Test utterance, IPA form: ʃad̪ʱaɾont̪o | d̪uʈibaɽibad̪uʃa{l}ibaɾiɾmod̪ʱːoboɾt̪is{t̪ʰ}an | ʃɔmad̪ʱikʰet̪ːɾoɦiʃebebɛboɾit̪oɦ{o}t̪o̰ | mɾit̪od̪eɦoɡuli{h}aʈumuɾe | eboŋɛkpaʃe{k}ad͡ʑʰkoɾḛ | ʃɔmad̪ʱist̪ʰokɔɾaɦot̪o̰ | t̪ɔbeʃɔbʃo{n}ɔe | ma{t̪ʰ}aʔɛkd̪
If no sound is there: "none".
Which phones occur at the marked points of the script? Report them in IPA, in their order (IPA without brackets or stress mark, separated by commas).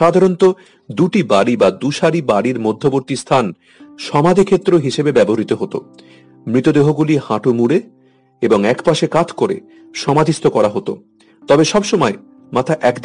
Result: ɾ, t̪ʰ, o, h, k, m, t̪ʰ